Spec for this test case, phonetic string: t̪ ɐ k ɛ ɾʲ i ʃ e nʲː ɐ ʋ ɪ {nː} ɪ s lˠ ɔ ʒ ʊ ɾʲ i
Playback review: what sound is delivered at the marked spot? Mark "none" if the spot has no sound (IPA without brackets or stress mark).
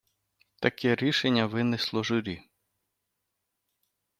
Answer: n